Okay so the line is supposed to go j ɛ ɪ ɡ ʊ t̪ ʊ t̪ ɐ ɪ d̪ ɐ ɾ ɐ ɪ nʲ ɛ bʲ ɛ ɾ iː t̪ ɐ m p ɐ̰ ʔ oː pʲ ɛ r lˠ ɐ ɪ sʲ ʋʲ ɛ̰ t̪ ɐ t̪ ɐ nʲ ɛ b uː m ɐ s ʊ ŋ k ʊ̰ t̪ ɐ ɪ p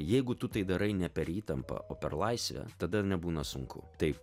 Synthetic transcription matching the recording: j ɛ ɪ ɡ ʊ t̪ ʊ t̪ ɐ ɪ d̪ ɐ ɾ ɐ ɪ nʲ ɛ pʲ ɛ ɾ iː t̪ ɐ m p ɐ̰ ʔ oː pʲ ɛ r lˠ ɐ ɪ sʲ ʋʲ ɛ̰ t̪ ɐ d̪ ɐ nʲ ɛ b uː n ɐ s ʊ ŋ k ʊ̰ t̪ ɐ ɪ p